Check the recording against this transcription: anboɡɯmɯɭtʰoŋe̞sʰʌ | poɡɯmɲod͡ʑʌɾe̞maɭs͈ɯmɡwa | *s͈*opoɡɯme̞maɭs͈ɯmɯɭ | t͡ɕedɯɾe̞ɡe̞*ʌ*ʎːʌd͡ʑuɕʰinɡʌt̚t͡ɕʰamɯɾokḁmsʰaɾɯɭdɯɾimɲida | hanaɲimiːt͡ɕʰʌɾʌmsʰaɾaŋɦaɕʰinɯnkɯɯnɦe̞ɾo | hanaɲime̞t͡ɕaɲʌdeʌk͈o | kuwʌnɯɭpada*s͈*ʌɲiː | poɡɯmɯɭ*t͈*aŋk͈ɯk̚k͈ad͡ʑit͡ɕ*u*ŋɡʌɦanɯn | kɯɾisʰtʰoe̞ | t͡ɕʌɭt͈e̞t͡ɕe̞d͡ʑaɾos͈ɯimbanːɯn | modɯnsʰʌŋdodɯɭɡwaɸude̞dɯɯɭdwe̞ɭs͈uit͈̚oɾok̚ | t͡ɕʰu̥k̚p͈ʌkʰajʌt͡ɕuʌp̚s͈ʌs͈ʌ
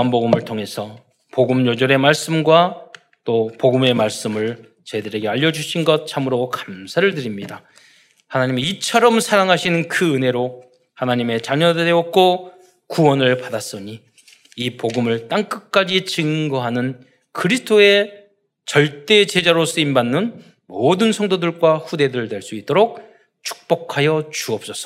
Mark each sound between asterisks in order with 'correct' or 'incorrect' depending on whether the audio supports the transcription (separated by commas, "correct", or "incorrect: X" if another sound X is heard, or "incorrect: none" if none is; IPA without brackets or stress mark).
incorrect: t͈, incorrect: a, correct, correct, incorrect: ɯ